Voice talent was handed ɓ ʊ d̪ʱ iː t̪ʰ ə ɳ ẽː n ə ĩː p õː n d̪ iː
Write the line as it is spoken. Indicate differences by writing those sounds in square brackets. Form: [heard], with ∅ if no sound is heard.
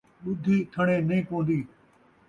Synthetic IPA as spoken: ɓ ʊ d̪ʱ iː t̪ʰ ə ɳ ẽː n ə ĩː p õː n d̪ iː